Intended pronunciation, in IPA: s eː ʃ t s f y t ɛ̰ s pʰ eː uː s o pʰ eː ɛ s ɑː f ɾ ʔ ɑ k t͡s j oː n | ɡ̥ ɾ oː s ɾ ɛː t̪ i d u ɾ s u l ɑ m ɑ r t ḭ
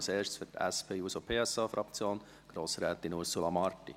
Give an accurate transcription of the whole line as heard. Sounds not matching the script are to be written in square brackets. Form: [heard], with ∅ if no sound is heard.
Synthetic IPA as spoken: s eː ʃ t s f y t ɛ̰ s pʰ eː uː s o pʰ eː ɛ s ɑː f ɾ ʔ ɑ k t͡s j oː n | ɡ̥ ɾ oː s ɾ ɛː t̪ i [n] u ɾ s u l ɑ m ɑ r t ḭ